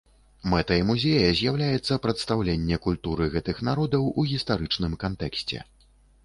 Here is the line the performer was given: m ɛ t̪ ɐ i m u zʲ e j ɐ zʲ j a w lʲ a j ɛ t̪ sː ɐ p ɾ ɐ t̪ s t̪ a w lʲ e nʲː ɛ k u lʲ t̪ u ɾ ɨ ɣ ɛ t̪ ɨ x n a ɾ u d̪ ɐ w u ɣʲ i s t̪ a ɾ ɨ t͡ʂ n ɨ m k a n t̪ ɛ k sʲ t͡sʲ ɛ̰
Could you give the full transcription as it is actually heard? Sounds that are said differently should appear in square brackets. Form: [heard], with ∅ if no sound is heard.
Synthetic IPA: m ɛ t̪ ɐ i m u zʲ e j ɐ zʲ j a w lʲ a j ɛ t̪ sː ɐ p ɾ ɐ t̪ s t̪ a w lʲ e nʲː ɛ k u lʲ t̪ u ɾ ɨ ɣ ɛ t̪ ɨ x n a ɾ [ɔ] d̪ ɐ w u ɣʲ i s t̪ a ɾ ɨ t͡ʂ n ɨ m k a n t̪ ɛ k sʲ t͡sʲ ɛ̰